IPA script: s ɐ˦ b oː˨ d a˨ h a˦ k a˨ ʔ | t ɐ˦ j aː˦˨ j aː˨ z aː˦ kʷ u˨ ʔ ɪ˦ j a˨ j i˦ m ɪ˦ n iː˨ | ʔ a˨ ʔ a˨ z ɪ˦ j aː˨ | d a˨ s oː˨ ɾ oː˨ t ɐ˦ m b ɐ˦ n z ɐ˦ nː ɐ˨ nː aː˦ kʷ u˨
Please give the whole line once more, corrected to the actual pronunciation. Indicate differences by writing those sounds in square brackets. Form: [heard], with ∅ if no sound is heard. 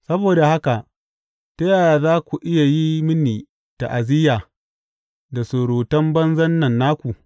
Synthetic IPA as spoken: s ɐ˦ b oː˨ d a˨ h a˦ k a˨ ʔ | t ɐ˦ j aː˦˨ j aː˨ z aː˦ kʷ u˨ ʔ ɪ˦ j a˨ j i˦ m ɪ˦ n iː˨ | [t] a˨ ʔ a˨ z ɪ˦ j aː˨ | d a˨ s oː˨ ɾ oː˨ t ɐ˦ m b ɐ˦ n z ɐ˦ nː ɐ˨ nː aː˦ kʷ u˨